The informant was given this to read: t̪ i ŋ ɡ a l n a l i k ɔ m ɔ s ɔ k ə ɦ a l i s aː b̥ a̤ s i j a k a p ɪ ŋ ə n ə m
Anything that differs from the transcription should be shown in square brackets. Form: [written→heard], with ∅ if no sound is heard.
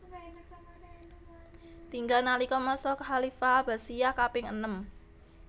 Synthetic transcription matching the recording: t̪ i ŋ ɡ a l n a l i k ɔ m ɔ s ɔ k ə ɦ a l i [s→f] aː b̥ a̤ s i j a k a p ɪ ŋ ə n ə m